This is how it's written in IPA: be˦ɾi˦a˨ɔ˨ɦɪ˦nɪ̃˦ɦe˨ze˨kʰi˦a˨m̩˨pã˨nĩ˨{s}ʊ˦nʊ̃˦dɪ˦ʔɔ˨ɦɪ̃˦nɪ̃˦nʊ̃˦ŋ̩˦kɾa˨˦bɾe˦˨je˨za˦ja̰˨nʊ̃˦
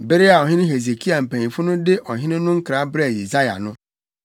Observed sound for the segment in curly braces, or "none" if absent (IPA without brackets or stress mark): f